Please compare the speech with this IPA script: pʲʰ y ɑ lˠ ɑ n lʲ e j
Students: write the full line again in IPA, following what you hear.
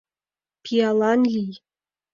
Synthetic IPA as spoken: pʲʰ i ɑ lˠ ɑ n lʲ i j